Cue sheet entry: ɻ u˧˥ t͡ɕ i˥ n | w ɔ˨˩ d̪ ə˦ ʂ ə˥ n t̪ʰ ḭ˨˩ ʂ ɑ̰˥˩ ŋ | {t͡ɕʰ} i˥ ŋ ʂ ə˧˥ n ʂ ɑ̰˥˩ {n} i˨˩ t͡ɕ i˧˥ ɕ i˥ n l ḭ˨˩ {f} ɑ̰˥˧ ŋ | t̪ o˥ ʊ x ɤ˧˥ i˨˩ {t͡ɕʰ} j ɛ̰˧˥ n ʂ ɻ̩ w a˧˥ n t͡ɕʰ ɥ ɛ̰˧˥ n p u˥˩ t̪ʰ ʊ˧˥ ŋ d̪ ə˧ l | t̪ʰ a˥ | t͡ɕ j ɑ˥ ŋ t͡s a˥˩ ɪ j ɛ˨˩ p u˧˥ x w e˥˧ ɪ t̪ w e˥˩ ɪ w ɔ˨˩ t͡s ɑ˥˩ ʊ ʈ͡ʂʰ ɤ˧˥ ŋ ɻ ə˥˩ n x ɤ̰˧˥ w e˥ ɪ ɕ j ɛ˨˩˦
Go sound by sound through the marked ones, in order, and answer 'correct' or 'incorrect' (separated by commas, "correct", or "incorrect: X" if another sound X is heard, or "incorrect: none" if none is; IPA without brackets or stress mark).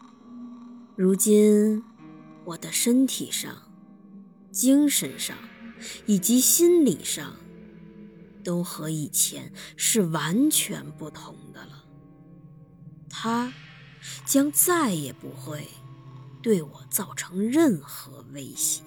incorrect: t͡ɕ, incorrect: ŋ, incorrect: ʂ, correct